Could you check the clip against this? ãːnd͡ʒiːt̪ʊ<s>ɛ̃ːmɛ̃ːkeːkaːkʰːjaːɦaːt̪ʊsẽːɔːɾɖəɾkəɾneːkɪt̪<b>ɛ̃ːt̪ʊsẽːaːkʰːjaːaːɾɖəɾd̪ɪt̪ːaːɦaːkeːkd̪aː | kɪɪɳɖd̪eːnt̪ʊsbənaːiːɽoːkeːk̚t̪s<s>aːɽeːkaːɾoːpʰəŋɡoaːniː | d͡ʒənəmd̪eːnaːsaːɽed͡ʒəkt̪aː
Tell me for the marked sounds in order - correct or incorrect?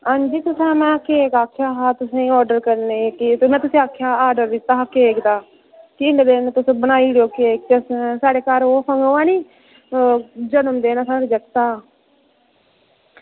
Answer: correct, incorrect, correct

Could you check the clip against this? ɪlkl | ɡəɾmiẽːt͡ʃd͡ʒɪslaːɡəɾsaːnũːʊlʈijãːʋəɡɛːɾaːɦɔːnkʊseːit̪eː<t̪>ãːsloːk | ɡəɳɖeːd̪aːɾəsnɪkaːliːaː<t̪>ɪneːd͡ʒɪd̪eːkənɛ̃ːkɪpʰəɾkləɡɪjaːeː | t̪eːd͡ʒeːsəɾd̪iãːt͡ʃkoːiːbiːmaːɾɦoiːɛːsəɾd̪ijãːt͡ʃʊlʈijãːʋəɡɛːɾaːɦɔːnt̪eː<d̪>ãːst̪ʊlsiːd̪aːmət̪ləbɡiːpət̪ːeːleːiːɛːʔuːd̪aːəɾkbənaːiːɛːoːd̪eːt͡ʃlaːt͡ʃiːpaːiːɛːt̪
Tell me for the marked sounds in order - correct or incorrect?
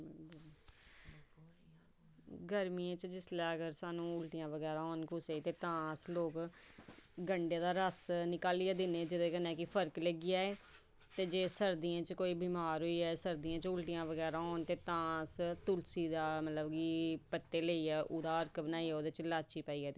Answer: correct, incorrect, incorrect

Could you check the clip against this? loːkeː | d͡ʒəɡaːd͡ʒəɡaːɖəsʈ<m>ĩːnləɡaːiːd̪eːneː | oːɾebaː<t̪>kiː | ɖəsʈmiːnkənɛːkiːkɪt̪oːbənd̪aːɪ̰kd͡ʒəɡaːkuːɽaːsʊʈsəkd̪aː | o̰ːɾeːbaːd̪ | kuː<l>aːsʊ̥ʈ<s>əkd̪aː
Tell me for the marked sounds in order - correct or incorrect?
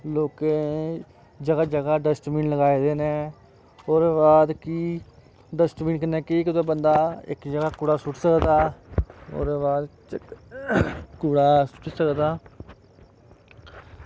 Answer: correct, incorrect, incorrect, correct

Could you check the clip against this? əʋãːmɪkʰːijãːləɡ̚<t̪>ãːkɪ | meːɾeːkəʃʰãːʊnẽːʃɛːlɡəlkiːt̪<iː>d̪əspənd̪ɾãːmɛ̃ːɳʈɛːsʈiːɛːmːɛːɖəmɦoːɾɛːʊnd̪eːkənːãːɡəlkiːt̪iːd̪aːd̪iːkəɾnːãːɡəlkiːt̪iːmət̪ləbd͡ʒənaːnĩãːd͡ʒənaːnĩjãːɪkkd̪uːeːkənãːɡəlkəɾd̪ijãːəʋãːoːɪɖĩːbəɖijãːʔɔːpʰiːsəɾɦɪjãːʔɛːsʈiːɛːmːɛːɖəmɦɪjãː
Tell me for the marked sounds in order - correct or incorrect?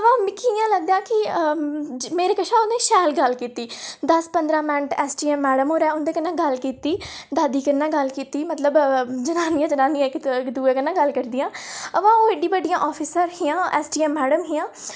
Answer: incorrect, correct

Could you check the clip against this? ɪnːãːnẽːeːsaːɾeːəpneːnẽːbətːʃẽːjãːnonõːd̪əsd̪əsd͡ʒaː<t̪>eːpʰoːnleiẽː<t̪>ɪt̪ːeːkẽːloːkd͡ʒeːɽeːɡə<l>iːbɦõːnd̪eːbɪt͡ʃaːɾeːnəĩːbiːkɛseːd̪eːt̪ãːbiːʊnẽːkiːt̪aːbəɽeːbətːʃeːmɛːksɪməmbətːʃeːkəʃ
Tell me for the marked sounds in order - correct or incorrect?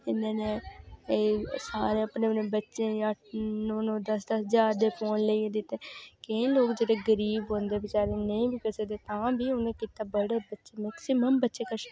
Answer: incorrect, incorrect, incorrect

